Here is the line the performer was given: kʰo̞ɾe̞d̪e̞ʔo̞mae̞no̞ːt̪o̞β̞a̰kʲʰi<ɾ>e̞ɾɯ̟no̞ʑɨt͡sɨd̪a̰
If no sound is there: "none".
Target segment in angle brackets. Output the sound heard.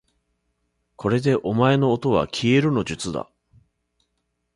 none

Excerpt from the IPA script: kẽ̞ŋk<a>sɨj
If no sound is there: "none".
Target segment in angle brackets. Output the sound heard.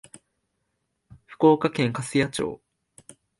a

